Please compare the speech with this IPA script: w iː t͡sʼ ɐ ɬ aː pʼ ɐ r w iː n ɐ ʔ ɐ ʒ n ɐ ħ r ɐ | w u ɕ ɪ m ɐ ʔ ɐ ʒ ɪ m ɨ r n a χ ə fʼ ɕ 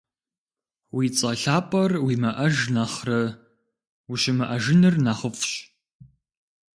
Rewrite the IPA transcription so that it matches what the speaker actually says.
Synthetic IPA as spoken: w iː t͡sʼ ɐ ɬ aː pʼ ɐ r w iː m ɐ ʔ ɐ ʒ n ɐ χ r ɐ | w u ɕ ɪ m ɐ ʔ ɐ ʒ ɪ n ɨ r n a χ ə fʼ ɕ

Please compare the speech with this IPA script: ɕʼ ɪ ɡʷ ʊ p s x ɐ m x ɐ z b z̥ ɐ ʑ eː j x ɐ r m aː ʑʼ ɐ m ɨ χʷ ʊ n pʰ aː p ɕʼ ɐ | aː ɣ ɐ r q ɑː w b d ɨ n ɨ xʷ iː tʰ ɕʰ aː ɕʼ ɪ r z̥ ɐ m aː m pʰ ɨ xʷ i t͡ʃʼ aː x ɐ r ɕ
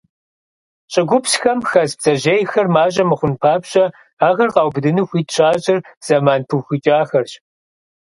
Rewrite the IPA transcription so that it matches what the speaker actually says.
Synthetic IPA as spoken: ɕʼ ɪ ɡʷ ʊ p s x ɐ m x ɐ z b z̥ ɐ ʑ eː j x ɐ r m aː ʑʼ ɐ m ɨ χʷ ʊ n pʰ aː p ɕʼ ɐ | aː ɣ ɐ r q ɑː w b d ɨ n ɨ xʷ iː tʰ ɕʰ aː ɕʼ ɪ r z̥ ɐ m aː n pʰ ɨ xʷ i t͡ʃʼ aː x ɐ r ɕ

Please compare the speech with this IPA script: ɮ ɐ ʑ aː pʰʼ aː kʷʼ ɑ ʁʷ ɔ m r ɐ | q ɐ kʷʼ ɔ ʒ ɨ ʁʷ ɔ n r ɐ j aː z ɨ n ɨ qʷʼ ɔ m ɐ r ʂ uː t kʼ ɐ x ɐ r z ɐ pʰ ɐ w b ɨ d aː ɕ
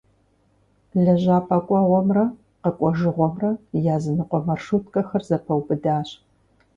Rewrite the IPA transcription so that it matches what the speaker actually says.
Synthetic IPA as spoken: ɮ ɐ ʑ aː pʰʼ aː kʷʼ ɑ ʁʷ ɔ m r ɐ | q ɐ kʷʼ ɔ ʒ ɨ ʁʷ ɔ m r ɐ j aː z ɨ n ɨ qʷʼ ɔ m ɐ r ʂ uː t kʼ ɐ x ɐ r z ɐ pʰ ɐ w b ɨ d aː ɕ

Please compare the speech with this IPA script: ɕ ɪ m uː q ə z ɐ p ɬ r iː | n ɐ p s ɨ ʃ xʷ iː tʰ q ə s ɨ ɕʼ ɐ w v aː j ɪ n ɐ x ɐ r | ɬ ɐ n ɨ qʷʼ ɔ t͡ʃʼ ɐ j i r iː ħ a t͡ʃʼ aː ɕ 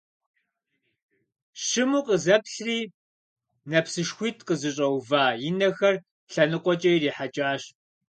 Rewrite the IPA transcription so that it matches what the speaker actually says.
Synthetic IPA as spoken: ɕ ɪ m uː q ə z ɐ p ɬ r iː | n ɐ p s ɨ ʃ xʷ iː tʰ q ə z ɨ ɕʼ ɐ w v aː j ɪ n ɐ x ɐ r | ɬ ɐ n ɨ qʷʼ ɔ t͡ʃʼ ɐ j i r iː ħ a t͡ʃʼ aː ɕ

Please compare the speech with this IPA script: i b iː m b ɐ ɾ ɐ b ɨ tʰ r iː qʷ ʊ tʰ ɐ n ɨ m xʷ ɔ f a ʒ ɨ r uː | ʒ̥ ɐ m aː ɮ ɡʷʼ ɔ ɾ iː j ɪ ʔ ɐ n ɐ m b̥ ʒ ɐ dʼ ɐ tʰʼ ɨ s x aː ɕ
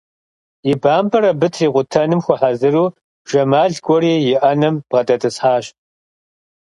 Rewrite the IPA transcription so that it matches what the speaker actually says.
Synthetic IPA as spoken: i b aː m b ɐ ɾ ɐ b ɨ tʰ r iː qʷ ʊ tʰ ɐ n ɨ m xʷ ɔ ħ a z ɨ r uː | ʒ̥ ɐ m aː ɮ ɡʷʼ ɔ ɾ iː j ɪ ʔ ɐ n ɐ m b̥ ʁ ɐ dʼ ɐ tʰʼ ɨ s ħ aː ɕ

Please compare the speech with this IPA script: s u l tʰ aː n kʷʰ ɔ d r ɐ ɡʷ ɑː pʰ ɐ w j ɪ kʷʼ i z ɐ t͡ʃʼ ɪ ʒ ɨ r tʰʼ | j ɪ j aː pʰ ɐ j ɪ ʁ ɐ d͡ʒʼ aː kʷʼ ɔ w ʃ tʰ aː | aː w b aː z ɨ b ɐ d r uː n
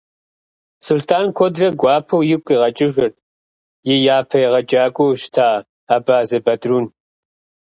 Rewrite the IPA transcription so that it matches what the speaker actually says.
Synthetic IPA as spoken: s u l tʰ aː n kʷʰ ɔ d r ɐ ɡʷ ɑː pʰ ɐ w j ɪ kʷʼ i ʁ ɐ t͡ʃʼ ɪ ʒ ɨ r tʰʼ | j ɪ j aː pʰ ɐ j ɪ ʁ ɐ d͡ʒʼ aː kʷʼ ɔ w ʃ tʰ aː | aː b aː z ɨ b ɐ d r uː n

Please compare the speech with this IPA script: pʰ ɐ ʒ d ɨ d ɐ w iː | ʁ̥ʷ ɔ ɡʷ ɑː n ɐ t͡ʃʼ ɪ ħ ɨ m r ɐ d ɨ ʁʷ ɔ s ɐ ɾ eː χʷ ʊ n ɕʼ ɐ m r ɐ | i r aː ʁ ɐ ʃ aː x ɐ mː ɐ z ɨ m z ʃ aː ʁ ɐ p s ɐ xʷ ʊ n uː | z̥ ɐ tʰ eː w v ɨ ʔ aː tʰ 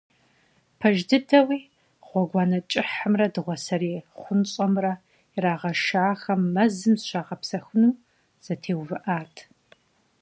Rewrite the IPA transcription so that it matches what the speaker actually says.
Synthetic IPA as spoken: pʰ ɐ ʒ d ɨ d ɐ w iː | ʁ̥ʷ ɔ ɡʷ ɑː n ɐ t͡ʃʼ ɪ ħ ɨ m r ɐ d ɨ ʁʷ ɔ s ɐ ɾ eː χʷ ʊ n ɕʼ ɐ m r ɐ | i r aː ʁ ɐ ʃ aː x ɐ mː ɐ z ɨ m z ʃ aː ʁ ɐ p s ɐ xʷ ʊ n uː | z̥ ɐ tʰ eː w v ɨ ʔ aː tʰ

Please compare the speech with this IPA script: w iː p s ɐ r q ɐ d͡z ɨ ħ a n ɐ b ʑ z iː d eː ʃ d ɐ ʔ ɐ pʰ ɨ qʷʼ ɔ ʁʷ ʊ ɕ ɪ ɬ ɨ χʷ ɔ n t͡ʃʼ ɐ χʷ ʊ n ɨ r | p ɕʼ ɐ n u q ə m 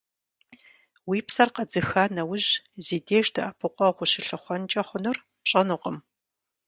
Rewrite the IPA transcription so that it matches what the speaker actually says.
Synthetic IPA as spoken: w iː p s ɐ r q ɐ d͡z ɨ x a n ɐ w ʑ z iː d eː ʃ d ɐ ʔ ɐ pʰ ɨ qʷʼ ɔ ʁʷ ʊ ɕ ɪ ɬ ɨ χʷ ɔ n t͡ʃʼ ɐ χʷ ʊ n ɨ r | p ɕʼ ɐ n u q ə m

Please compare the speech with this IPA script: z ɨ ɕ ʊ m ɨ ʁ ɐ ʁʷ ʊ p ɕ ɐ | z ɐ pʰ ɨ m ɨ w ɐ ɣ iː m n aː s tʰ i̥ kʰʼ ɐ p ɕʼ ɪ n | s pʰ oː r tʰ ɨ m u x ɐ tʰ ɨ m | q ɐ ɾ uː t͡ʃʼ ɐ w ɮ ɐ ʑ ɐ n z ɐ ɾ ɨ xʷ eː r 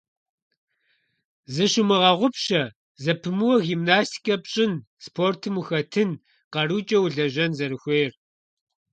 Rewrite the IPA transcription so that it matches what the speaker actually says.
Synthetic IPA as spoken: z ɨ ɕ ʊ m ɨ ʁ ɐ ʁʷ ʊ p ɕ ɐ | z ɐ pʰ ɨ m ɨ w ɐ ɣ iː m n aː s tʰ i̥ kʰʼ ɐ p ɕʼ ɪ n | s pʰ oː r tʰ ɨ m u x ɐ tʰ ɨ n | q ɐ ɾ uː t͡ʃʼ ɐ w ɮ ɐ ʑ ɐ n z ɐ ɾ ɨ xʷ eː r

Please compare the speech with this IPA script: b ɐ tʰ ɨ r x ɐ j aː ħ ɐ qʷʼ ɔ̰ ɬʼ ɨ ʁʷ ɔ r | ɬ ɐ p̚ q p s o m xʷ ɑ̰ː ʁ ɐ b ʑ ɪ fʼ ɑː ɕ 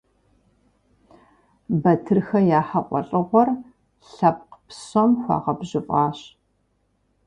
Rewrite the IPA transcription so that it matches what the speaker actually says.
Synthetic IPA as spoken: b ɐ tʰ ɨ r x ɐ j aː ħ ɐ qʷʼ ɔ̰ ɬʼ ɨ ʁʷ ɔ r | ɬ ɐ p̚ q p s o m xʷ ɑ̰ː ʁ ɐ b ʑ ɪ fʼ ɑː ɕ

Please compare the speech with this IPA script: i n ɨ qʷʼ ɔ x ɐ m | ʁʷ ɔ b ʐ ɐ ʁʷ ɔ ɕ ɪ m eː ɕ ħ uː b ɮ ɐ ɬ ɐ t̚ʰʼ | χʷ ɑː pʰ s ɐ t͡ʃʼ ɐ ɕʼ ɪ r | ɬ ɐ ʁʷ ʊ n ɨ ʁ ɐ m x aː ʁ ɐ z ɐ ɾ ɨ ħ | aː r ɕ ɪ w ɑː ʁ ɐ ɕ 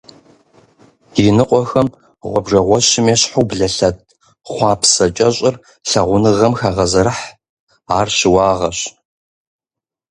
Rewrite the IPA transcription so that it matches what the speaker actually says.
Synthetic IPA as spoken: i n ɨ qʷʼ ɔ x ɐ m | ʁʷ ɔ b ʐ ɐ ʁʷ ɔ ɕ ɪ m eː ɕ ħ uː b ɮ ɐ ɬ ɐ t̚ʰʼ | χʷ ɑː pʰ s ɐ t͡ʃʼ ɐ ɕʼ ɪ r | ɬ ɐ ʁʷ ʊ n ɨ ʁ ɐ m x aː ʁ ɐ z ɐ ɾ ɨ ħ | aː r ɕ ɪ w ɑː ʁ ɐ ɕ

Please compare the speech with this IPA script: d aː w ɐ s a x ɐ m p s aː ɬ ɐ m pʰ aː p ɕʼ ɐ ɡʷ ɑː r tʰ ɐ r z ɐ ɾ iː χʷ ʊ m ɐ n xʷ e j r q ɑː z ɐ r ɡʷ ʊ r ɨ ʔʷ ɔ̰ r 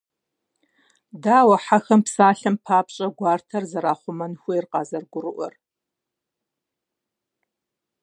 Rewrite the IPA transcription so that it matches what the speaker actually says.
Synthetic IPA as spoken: d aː w ɐ ħ a x ɐ m p s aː ɬ ɐ m pʰ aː p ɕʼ ɐ ɡʷ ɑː r tʰ ɐ r z ɐ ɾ aː χʷ ʊ m ɐ n xʷ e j r q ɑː z ɐ r ɡʷ ʊ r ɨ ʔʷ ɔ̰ r

